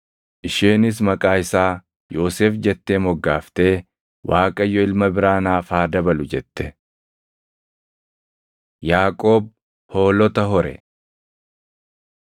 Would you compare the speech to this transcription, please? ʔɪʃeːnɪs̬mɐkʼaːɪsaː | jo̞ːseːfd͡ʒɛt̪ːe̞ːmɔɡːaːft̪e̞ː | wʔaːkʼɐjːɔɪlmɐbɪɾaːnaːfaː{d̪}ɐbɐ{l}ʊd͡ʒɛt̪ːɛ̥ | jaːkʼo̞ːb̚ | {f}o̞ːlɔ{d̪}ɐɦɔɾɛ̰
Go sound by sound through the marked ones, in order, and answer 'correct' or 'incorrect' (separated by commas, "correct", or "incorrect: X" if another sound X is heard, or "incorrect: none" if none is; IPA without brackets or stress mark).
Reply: correct, correct, incorrect: h, incorrect: t̪